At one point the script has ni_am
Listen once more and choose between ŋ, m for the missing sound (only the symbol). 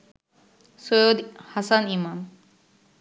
m